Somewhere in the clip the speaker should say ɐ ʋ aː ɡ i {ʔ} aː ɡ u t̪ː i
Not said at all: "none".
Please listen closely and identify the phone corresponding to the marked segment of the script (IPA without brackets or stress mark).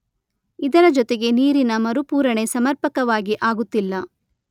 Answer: ʔ